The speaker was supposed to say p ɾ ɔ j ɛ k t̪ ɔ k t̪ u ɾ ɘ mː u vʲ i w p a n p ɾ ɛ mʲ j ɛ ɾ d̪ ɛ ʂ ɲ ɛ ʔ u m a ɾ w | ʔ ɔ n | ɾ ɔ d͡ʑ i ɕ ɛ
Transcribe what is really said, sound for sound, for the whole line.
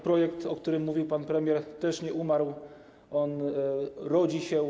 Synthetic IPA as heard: p ɾ ɔ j ɛ k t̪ ɔ k t̪ u ɾ ɘ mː u vʲ i w p a n p ɾ ɛ mʲ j ɛ ɾ t̪ ɛ ʂ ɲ ɛ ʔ u m a ɾ w | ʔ ɔ n | ɾ ɔ d͡ʑ i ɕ ɛ